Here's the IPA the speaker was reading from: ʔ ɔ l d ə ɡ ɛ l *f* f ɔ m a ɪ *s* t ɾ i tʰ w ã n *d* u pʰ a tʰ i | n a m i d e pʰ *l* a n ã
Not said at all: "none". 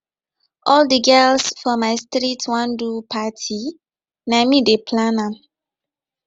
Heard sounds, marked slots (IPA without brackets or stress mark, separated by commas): s, s, d, l